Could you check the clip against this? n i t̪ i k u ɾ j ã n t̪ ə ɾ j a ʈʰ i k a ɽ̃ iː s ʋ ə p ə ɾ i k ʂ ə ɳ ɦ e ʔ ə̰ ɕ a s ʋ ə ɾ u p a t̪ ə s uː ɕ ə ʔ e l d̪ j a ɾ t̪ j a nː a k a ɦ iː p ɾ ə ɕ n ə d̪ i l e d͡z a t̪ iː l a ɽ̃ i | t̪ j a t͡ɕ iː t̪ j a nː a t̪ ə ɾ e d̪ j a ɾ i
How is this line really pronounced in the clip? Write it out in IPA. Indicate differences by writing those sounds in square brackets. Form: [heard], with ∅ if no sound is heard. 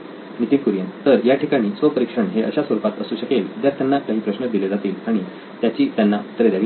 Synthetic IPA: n i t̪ i k u ɾ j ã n t̪ ə ɾ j a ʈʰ i k a ɽ̃ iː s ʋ ə p ə ɾ i k ʂ ə ɳ ɦ e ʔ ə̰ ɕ a s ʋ ə ɾ u p a t̪ ə s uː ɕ ə [k] e l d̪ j a ɾ t̪ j a nː a k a ɦ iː p ɾ ə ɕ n ə d̪ i l e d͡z a t̪ iː l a ɽ̃ i | t̪ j a t͡ɕ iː t̪ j a nː a t̪ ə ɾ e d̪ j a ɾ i

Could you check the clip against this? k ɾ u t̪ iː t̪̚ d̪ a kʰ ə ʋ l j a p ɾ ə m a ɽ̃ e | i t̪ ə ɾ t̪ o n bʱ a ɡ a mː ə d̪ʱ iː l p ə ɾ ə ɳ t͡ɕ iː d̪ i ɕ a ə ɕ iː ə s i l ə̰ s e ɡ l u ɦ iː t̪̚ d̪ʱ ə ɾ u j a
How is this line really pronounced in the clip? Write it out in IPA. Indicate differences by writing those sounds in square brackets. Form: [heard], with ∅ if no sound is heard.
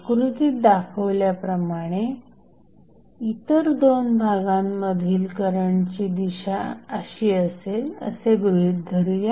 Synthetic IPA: k ɾ u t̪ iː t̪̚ d̪ a kʰ ə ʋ l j a p ɾ ə m a ɽ̃ e | i t̪ ə ɾ [d̪] o n bʱ a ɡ a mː ə d̪ʱ iː l [k] ə ɾ ə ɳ t͡ɕ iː d̪ i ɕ a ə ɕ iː ə s [e] l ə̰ s e ɡ [ɾ] u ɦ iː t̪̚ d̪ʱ ə ɾ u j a

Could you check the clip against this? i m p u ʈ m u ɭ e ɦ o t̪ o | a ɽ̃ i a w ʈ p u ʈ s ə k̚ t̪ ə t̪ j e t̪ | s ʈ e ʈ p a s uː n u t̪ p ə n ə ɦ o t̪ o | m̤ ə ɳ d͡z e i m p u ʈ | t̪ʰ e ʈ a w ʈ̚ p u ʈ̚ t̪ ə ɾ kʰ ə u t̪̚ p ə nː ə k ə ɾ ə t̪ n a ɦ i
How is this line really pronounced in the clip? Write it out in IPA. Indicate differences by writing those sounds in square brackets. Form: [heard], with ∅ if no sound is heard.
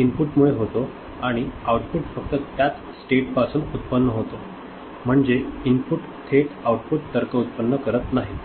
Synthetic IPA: i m p u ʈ m u ɭ e ɦ o t̪ o | a ɽ̃ i a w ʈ p u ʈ [f] ə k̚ t̪ ə t̪ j [a] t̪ | s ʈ e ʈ p a s uː n u t̪ p ə [nː] ə ɦ o t̪ o | m̤ ə ɳ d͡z e i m p u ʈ | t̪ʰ e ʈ a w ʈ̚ p u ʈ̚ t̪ ə ɾ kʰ ə u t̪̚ p ə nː ə k ə ɾ ə t̪ n a ɦ i

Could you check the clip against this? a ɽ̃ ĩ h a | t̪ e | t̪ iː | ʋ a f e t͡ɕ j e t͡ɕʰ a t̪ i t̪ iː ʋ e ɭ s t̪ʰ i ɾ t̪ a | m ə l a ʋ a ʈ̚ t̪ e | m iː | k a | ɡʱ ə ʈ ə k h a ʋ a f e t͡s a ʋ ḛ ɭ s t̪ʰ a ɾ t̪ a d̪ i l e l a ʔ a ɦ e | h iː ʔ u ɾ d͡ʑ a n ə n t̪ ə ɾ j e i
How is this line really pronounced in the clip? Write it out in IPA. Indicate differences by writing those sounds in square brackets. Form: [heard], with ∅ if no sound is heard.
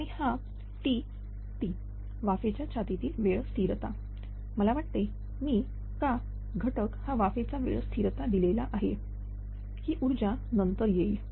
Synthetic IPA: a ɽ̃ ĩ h a | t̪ [i] | t̪ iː | ʋ a f e t͡ɕ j [a] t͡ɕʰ a t̪ i t̪ iː ʋ e ɭ s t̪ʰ i ɾ t̪ a | m ə l a ʋ a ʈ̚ t̪ e | m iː | k a | ɡʱ ə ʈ ə k h a ʋ a f e t͡s a ʋ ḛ ɭ s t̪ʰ [i] ɾ t̪ a d̪ i l e l a ʔ a ɦ e | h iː ʔ u ɾ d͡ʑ a n ə n t̪ ə ɾ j e i

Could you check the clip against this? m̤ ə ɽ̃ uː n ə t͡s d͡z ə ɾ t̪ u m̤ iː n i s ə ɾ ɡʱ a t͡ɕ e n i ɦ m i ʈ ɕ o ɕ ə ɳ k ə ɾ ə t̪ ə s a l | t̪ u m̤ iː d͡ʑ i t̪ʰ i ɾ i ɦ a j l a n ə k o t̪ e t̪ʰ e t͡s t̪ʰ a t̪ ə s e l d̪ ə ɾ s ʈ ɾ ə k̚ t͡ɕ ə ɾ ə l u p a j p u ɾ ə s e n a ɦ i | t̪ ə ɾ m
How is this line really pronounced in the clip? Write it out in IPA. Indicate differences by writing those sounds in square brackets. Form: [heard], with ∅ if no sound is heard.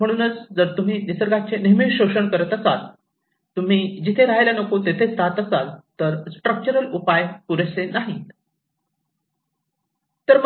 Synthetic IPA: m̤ ə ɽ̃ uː n ə t͡s d͡z ə ɾ t̪ u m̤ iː n i s ə ɾ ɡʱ a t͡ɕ e n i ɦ m i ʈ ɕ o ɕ ə ɳ k ə ɾ ə t̪ ə s a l | t̪ u m̤ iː d͡ʑ i t̪ʰ [e] ɾ [a] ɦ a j l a n ə k o t̪ e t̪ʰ e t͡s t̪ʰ a t̪ ə s [a] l [t̪] ə ɾ s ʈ ɾ ə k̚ t͡ɕ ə ɾ ə l u p a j p u ɾ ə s e n a ɦ i | t̪ ə ɾ m

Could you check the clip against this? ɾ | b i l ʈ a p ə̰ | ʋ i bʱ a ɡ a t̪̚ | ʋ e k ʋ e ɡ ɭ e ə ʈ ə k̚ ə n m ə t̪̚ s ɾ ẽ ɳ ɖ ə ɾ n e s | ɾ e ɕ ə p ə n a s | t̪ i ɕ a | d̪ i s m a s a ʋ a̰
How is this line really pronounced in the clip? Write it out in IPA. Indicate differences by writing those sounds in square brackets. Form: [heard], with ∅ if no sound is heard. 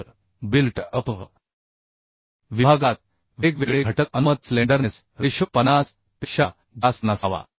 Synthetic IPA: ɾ | b i l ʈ [ə] p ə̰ | ʋ i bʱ a ɡ a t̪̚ | ʋ e k ʋ e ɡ ɭ e ə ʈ ə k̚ ə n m ə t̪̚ s [l] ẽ ɳ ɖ ə ɾ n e s | ɾ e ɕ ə p ə n a s | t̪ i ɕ a | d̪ [a] s [n] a s a ʋ a̰

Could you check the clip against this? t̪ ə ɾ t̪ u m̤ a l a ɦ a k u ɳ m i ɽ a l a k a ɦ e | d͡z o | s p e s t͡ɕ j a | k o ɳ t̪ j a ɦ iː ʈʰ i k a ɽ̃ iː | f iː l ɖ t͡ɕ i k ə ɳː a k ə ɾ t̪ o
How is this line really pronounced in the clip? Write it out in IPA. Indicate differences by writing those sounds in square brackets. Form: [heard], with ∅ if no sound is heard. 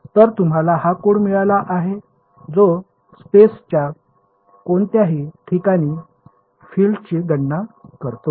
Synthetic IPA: t̪ ə ɾ t̪ u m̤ a l a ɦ a k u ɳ m i [ɭ] a l a [ʔ] a ɦ e | d͡z o | s p e s t͡ɕ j a | k o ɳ t̪ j a ɦ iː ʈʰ i k a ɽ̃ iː | f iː l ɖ t͡ɕ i [ɡ] ə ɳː a k ə ɾ t̪ o

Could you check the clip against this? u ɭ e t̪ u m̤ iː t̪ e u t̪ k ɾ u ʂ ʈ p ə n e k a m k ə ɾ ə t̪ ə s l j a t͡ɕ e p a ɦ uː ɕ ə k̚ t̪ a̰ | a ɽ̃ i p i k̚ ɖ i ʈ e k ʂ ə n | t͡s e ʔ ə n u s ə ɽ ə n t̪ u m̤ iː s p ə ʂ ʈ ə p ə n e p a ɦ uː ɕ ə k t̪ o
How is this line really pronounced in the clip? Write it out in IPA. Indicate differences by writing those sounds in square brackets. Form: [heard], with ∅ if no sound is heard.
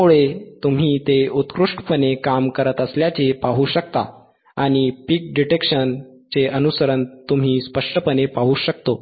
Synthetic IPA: u ɭ e t̪ u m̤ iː t̪ e u t̪ k ɾ u ʂ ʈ p ə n e k a m k ə ɾ ə t̪ ə s l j a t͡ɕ e p a ɦ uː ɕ ə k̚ t̪ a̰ | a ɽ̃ i p i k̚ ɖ i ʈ e k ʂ ə n | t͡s e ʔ ə n u s ə [ɾ] ə n t̪ u m̤ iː s p ə ʂ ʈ ə p ə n e p a ɦ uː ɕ ə k t̪ o

